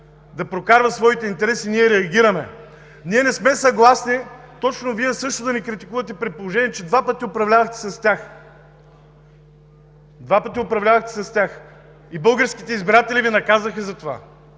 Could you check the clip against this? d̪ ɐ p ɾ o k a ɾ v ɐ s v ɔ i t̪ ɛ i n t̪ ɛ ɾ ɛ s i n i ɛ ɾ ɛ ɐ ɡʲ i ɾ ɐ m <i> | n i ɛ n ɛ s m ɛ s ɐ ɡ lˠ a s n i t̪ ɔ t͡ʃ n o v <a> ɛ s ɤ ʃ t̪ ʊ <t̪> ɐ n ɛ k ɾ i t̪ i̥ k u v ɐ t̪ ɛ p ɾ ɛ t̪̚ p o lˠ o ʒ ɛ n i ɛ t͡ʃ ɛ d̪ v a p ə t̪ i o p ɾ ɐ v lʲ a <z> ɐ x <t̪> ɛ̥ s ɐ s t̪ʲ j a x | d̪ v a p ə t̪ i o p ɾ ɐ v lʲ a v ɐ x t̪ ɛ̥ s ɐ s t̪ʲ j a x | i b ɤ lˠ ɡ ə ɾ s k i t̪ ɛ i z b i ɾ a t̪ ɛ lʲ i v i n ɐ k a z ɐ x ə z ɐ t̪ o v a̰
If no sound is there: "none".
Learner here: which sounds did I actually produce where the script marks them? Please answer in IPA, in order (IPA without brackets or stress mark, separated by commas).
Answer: ɛ, i, d̪, v, t̪